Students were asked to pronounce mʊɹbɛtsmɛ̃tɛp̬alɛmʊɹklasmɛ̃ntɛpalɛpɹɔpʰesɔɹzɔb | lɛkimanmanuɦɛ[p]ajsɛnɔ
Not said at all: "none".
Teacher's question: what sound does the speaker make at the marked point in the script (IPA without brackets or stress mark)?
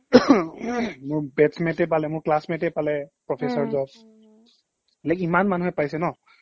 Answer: p